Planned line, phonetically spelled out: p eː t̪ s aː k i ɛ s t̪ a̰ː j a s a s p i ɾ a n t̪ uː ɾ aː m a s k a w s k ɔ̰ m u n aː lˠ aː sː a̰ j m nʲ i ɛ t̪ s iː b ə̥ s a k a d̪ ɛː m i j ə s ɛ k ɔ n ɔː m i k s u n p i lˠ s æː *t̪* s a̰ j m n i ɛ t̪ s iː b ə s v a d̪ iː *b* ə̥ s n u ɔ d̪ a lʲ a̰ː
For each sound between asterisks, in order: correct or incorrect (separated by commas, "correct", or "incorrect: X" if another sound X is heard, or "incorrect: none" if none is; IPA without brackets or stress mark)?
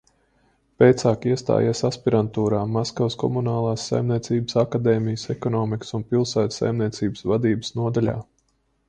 correct, correct